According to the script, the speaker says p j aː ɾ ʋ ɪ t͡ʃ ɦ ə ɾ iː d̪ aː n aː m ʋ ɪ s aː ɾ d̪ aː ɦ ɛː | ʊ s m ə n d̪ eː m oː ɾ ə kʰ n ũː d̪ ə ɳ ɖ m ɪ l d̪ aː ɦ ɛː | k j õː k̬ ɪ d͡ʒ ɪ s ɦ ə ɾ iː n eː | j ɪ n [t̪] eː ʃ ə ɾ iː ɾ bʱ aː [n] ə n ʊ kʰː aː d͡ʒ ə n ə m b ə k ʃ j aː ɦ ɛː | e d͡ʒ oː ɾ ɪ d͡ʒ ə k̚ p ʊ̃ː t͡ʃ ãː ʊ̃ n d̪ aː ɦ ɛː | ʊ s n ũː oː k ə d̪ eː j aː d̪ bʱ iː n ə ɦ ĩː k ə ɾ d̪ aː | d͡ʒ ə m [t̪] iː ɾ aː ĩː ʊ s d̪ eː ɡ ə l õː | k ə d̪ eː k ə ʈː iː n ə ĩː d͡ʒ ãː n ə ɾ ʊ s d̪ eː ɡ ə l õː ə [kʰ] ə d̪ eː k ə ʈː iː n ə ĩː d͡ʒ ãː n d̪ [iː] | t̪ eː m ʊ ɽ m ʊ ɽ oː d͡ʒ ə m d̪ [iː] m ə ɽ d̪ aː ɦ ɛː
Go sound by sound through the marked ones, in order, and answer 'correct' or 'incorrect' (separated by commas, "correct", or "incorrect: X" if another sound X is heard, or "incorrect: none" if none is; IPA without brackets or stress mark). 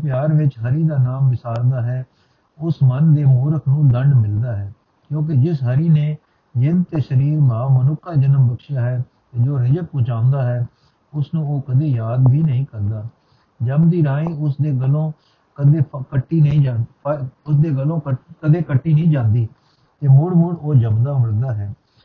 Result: correct, incorrect: m, incorrect: d̪, incorrect: k, correct, incorrect: aː